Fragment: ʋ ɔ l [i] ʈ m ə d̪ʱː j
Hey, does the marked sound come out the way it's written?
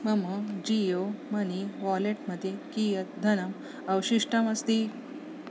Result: no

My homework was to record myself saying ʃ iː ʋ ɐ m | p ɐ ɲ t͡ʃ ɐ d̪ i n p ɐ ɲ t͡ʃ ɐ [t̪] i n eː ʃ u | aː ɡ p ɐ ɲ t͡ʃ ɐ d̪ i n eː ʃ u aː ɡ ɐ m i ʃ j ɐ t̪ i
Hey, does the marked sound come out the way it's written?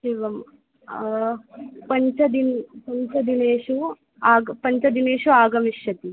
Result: no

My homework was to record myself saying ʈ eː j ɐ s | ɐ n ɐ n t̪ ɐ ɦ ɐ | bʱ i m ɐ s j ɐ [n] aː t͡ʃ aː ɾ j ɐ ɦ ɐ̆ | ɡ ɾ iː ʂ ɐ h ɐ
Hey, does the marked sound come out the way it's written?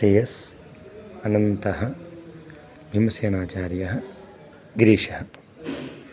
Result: yes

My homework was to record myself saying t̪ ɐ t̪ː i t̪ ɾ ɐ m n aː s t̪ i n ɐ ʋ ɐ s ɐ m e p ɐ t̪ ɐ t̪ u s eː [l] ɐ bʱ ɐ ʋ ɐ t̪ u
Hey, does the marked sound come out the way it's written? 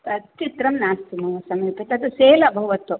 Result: yes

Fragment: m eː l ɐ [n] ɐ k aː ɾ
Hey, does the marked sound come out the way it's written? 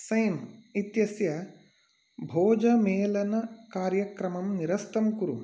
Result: yes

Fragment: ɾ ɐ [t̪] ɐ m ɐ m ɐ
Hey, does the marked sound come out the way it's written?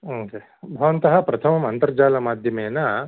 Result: no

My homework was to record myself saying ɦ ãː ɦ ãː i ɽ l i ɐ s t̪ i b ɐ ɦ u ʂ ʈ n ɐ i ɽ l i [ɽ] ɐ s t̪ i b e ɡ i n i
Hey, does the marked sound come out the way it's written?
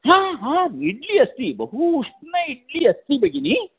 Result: no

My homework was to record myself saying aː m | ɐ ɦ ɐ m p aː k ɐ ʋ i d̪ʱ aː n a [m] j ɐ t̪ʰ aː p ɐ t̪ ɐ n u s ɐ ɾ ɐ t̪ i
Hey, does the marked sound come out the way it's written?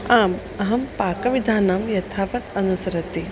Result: yes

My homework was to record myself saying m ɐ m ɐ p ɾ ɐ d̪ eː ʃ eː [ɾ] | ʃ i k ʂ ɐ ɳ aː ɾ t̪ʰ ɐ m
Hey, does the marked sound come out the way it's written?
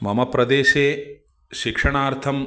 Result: no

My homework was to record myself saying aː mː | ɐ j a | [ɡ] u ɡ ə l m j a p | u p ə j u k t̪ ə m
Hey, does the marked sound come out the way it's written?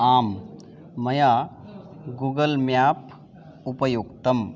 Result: yes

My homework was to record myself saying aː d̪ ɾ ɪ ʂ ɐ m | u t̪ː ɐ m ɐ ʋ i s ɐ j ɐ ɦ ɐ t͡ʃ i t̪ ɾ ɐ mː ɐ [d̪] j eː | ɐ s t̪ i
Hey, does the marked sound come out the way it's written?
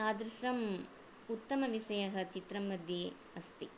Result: yes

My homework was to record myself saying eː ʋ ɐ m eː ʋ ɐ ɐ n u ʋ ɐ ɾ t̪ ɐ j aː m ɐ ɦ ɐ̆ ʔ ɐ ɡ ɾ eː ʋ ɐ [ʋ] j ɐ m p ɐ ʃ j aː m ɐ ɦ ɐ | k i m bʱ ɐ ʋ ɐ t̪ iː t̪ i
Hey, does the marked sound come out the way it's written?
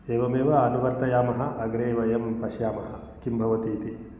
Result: no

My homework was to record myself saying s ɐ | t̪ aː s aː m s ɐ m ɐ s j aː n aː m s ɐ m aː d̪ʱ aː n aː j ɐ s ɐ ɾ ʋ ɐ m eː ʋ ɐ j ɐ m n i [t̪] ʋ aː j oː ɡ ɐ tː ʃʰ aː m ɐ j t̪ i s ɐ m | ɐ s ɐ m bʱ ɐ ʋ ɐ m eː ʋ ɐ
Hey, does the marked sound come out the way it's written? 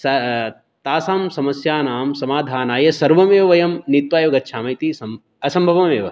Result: yes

